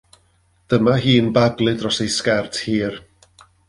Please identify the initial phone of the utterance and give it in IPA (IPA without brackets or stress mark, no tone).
d̥